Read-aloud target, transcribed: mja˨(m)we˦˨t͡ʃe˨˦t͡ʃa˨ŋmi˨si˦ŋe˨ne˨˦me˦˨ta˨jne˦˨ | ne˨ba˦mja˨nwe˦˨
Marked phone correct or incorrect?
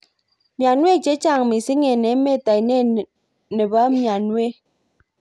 incorrect